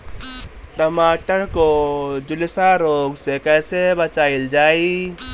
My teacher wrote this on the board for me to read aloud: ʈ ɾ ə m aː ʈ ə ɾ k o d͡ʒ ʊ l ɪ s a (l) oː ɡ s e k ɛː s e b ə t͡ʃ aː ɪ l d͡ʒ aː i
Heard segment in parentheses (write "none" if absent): ɾ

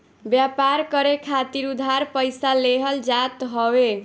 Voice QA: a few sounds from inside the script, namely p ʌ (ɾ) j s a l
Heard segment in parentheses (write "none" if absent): none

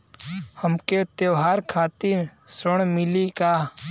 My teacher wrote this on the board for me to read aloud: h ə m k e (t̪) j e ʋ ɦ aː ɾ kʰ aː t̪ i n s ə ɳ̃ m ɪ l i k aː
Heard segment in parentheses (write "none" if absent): t̪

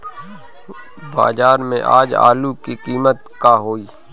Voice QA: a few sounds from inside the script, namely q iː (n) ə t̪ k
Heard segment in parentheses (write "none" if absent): m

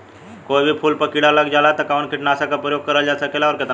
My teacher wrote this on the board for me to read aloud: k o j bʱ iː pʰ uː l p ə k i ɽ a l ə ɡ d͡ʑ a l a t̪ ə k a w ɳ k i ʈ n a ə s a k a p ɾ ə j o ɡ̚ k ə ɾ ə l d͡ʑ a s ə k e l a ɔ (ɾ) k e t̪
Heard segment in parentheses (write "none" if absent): ɾ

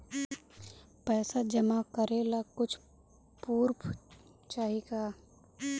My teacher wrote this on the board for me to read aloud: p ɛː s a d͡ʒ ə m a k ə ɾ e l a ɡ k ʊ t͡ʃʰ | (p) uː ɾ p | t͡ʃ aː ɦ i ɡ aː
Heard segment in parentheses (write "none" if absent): p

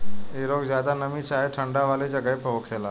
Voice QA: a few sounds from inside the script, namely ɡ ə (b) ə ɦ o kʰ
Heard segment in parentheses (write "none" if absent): p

